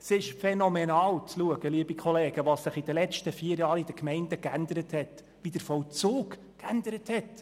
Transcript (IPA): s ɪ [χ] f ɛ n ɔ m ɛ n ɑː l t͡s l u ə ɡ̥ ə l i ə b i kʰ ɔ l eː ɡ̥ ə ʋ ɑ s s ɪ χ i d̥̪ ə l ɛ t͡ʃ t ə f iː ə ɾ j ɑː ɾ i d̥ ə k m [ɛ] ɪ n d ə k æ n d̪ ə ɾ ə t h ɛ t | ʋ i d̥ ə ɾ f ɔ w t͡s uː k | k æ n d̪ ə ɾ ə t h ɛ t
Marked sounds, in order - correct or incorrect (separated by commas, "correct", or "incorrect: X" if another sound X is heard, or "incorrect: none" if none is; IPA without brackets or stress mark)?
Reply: incorrect: ʃ, correct